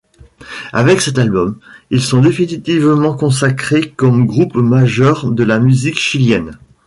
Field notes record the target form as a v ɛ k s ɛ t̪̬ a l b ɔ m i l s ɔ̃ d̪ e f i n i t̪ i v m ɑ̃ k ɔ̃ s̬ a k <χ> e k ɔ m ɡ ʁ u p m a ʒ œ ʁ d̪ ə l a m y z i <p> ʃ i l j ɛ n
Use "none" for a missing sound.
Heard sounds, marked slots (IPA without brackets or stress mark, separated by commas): χ, k